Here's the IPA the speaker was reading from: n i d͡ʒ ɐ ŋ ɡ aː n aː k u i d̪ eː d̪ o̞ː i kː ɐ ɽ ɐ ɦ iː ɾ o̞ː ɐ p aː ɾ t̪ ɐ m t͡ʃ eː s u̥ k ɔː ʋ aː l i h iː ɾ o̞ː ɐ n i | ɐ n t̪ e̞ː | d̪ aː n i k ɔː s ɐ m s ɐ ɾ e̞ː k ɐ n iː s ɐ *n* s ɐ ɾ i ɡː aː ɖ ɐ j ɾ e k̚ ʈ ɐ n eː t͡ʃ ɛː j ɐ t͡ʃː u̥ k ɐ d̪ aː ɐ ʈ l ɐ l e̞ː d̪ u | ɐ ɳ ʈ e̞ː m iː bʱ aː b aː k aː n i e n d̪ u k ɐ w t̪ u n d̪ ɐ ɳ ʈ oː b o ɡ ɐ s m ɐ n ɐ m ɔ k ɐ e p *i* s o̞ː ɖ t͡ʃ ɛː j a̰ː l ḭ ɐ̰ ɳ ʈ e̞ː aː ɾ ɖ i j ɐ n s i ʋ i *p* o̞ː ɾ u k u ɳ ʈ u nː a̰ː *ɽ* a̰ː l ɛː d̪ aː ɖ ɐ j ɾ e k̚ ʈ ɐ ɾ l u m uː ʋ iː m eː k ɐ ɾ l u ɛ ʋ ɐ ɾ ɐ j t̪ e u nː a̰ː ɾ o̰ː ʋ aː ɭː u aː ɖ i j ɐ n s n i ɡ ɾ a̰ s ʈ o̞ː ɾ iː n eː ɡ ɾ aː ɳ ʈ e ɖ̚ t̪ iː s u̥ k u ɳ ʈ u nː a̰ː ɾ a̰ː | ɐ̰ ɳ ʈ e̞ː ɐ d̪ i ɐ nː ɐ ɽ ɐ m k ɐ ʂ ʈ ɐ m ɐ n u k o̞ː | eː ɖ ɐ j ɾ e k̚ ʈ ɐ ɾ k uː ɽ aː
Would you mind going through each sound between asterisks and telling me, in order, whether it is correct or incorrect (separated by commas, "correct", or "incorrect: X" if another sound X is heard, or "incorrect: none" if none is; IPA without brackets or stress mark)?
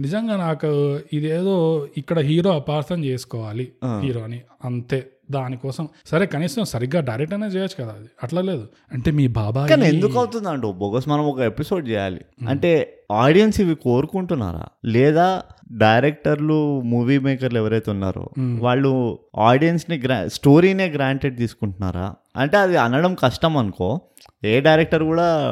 incorrect: m, correct, incorrect: k, incorrect: ɾ